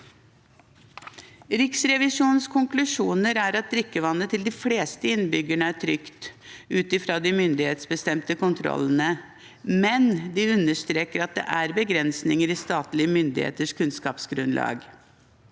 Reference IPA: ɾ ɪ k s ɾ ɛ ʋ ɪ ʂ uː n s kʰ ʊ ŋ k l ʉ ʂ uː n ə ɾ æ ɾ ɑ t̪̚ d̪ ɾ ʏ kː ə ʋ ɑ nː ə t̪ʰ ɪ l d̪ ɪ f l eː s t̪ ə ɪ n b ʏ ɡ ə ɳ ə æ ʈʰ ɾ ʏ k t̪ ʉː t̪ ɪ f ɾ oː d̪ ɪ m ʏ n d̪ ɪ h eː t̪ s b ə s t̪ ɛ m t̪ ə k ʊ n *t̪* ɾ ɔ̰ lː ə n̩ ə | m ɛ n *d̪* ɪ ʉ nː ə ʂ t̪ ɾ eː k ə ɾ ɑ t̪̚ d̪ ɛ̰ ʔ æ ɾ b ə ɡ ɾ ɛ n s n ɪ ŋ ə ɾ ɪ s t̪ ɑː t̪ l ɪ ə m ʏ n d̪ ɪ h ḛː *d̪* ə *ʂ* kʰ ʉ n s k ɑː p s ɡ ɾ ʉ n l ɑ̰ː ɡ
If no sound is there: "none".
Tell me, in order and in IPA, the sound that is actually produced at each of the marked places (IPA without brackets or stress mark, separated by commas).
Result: t̪ʰ, d̪, t̪, ʂ